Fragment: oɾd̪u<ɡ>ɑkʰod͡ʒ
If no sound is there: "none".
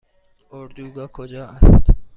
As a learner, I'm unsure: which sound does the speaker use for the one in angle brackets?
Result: ɡ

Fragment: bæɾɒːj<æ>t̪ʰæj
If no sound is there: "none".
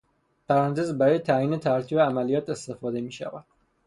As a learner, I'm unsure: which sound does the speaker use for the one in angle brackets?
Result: e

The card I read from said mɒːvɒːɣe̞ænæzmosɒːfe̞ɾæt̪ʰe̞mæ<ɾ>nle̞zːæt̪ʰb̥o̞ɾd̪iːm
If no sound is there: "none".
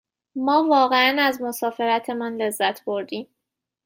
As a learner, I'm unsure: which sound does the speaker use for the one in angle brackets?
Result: none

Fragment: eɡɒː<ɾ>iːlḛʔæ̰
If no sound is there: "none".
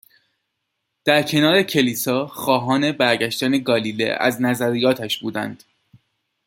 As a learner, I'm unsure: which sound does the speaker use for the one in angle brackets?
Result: l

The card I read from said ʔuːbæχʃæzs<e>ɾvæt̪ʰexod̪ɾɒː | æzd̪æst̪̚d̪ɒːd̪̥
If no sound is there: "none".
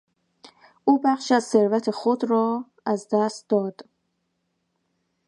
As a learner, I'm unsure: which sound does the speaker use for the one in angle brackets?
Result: e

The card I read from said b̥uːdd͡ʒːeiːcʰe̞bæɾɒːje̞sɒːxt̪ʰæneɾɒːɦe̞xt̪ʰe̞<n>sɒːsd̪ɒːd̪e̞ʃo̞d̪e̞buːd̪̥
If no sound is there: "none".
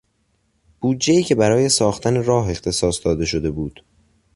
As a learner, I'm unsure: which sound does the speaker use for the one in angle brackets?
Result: none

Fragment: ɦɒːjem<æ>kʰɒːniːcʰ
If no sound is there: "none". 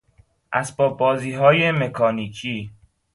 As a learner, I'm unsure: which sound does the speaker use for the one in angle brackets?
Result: e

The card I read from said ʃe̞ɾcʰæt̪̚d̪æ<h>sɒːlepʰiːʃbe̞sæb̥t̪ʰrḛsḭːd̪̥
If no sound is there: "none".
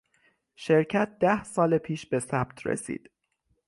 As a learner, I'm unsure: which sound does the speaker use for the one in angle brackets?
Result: h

